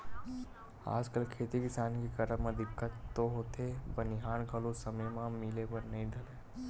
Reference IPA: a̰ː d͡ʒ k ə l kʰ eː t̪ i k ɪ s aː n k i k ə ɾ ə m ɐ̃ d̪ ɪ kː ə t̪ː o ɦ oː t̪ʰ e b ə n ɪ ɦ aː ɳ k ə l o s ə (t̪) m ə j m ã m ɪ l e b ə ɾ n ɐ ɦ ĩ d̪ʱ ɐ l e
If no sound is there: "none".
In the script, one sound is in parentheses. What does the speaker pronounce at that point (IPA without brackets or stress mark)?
none